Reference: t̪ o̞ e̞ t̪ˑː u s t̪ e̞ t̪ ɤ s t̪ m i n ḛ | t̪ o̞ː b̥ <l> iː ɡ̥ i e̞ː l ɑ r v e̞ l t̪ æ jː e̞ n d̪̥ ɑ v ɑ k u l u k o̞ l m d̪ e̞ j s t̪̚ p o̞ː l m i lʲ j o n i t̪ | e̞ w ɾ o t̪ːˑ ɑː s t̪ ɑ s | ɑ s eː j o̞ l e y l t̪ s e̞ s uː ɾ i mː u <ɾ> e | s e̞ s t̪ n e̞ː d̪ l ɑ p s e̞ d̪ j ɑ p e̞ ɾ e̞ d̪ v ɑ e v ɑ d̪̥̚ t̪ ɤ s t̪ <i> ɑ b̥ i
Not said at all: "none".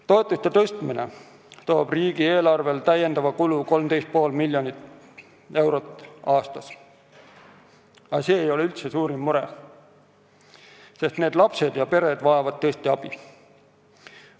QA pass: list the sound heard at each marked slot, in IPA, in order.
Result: r, ɾ, i

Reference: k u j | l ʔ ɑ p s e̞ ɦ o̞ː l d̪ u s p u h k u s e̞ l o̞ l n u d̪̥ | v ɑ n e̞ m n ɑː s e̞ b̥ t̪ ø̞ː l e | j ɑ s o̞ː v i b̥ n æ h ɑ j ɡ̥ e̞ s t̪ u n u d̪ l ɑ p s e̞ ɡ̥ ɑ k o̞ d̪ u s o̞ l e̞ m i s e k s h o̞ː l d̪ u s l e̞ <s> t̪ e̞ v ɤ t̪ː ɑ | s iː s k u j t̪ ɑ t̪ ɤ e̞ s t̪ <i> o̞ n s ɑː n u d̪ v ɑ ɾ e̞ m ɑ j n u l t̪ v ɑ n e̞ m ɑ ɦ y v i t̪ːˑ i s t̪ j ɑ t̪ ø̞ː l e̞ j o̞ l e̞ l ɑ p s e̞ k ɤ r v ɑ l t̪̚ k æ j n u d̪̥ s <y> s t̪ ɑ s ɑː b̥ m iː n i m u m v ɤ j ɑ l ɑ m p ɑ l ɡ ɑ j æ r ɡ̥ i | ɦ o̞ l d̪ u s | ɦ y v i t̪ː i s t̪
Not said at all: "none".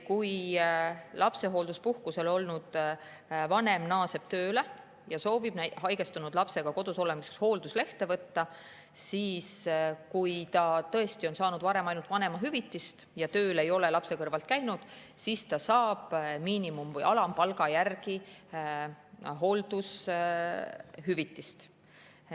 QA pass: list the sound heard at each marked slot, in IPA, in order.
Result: h, i, i

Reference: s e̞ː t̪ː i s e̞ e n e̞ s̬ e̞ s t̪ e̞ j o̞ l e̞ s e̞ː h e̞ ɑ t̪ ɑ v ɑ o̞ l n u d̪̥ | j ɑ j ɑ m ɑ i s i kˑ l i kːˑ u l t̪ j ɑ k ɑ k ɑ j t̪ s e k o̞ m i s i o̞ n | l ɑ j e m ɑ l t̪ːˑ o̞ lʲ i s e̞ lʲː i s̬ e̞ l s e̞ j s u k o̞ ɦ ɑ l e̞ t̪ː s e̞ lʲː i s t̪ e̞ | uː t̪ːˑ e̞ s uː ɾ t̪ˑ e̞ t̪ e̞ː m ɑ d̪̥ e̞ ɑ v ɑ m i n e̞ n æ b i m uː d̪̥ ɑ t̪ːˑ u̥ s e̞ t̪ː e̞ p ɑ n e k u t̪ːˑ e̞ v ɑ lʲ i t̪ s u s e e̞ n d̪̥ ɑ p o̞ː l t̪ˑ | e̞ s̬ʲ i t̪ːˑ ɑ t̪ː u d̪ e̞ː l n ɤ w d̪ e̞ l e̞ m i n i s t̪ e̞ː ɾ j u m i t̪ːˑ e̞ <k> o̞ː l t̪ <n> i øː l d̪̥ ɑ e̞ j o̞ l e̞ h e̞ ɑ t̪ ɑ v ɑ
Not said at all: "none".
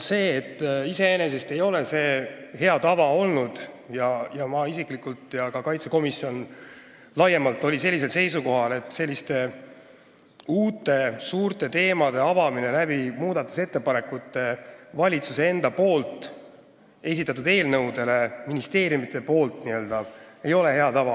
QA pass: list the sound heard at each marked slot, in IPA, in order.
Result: p, n

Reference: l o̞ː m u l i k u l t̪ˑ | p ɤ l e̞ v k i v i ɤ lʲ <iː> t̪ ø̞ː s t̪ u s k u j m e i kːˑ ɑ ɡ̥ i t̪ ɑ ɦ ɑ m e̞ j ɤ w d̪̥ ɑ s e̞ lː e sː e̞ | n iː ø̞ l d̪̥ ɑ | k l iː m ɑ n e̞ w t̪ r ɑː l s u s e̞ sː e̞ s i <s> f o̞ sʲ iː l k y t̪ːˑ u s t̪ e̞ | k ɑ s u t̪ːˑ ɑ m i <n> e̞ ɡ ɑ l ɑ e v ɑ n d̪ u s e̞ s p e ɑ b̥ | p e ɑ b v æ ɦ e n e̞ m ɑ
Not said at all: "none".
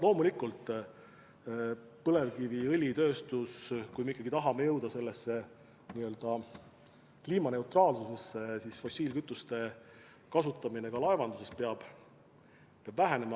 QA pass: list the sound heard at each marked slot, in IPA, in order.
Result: i, s, n

